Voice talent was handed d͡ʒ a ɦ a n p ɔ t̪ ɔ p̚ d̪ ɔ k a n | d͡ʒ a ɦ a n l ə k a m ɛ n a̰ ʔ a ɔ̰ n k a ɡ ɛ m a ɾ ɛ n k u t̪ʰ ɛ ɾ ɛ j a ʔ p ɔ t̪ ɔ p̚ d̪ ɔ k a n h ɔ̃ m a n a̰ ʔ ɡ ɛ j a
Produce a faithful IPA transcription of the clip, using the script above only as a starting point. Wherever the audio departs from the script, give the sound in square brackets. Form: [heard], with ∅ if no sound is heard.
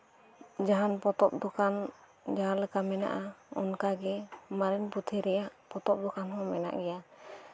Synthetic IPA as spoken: d͡ʒ a ɦ a n p ɔ t̪ ɔ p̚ d̪ ɔ k a n | d͡ʒ a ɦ a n l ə k a m ɛ n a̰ ʔ a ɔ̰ n k a ɡ ɛ m a ɾ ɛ n [p] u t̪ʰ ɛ ɾ ɛ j a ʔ p ɔ t̪ ɔ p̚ d̪ ɔ k a n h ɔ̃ m [ɛ] n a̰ ʔ ɡ ɛ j a

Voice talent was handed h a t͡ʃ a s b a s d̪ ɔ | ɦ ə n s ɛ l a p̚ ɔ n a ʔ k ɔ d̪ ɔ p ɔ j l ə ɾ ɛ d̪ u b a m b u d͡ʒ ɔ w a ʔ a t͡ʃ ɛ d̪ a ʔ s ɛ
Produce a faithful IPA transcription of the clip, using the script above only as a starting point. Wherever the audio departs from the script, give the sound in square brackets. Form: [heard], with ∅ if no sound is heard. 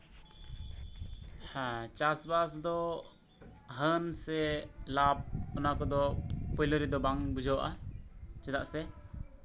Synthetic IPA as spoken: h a t͡ʃ a s b a s d̪ ɔ | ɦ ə n s ɛ l a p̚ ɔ n a [∅] k ɔ d̪ ɔ p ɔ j l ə ɾ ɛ d̪ [ɔ] b a [ŋ] b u d͡ʒ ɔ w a ʔ a t͡ʃ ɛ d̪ a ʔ s ɛ

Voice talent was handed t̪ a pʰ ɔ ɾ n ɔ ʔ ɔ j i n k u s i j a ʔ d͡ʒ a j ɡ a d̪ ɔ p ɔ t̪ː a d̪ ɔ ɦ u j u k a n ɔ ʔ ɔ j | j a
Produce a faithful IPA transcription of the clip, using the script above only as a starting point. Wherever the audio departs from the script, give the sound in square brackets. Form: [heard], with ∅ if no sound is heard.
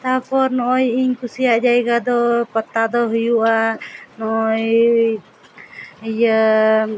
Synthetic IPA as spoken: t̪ a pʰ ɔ ɾ n ɔ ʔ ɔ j i [ɲ] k u s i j a ʔ d͡ʒ a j ɡ a d̪ ɔ p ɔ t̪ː a d̪ ɔ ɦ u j u [ʔ] a n ɔ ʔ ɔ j | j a

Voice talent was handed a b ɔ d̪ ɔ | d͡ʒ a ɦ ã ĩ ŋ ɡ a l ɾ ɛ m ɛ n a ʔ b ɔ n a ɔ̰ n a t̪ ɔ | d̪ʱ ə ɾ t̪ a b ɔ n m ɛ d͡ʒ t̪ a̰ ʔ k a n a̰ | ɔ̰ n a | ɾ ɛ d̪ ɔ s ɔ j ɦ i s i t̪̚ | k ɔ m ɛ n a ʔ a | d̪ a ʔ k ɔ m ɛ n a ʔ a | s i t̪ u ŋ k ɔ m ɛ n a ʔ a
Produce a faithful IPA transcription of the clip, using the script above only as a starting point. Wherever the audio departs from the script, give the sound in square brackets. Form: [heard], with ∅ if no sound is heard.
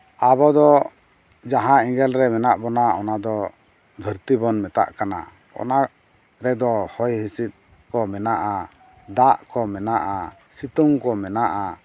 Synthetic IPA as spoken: a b ɔ d̪ ɔ | d͡ʒ a ɦ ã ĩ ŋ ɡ [ɛ] l ɾ ɛ m ɛ n a ʔ b ɔ n a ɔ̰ n a [d̪] ɔ | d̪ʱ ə ɾ t̪ [i] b ɔ n m ɛ [∅] t̪ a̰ ʔ k a n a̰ | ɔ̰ n a | ɾ ɛ d̪ ɔ [h] ɔ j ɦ i s i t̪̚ | k ɔ m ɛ n a ʔ a | d̪ a ʔ k ɔ m ɛ n a ʔ a | s i t̪ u ŋ k ɔ m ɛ n a ʔ a

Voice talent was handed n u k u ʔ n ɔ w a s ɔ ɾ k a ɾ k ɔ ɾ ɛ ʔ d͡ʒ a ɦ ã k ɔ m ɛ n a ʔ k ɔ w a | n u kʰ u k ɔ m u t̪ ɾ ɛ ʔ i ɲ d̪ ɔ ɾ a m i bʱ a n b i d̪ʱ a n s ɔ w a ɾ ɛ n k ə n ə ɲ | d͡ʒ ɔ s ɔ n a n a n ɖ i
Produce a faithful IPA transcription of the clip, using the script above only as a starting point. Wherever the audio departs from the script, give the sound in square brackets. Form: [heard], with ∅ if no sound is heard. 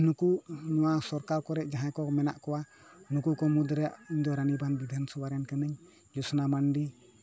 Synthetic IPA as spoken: n u k u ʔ n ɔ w a s ɔ ɾ k a ɾ k ɔ ɾ ɛ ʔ d͡ʒ a ɦ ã k ɔ m ɛ n a ʔ k ɔ w a | n u [k] u k ɔ m u [d̪] ɾ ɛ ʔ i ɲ d̪ ɔ ɾ a [n] i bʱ a n b i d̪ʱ a n s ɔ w a ɾ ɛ n k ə n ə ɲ | d͡ʒ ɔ s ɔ n a [m] a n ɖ i

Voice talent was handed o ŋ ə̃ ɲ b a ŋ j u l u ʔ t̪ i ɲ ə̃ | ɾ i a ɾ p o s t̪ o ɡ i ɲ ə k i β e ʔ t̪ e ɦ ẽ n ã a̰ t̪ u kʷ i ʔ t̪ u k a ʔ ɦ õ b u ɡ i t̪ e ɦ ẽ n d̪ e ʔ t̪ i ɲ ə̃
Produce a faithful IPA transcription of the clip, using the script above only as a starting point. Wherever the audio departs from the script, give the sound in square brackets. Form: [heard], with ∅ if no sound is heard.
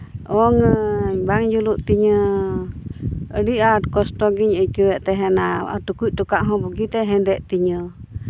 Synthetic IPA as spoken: o ŋ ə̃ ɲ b a ŋ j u l u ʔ t̪ i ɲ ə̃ | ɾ i a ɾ [k] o s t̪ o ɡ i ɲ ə k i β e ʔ t̪ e ɦ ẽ n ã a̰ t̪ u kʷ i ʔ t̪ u k a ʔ ɦ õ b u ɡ i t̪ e ɦ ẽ n d̪ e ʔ t̪ i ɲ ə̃

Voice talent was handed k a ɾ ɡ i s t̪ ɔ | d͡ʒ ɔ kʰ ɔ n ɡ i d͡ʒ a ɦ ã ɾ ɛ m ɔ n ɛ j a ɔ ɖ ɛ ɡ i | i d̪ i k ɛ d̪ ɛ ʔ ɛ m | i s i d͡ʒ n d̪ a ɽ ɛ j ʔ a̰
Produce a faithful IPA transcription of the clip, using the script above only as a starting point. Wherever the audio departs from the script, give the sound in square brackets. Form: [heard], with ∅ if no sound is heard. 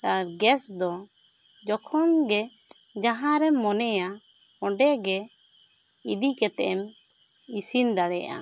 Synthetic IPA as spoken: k a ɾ ɡ [ɛ] s [d̪] ɔ | d͡ʒ ɔ kʰ ɔ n ɡ [ɛ] d͡ʒ a ɦ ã ɾ ɛ m ɔ n ɛ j a ɔ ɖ ɛ ɡ [ɛ] | i d̪ i k ɛ [t̪] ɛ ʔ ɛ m | i s i [∅] n d̪ a ɽ ɛ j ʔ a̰

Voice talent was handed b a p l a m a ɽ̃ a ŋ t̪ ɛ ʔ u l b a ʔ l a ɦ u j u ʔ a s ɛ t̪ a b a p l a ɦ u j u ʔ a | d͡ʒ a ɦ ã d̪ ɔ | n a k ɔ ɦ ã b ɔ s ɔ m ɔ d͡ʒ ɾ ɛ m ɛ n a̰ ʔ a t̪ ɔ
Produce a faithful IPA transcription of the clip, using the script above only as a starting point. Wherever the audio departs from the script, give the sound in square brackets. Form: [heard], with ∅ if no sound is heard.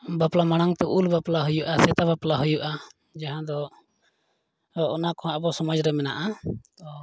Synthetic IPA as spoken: b a p l a m a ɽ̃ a ŋ t̪ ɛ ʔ u l b a [p] l a ɦ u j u ʔ a s ɛ t̪ a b a p l a ɦ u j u ʔ a | d͡ʒ a ɦ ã d̪ ɔ | n a k ɔ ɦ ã b ɔ s ɔ m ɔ d͡ʒ ɾ ɛ m ɛ n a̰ ʔ a t̪ ɔ

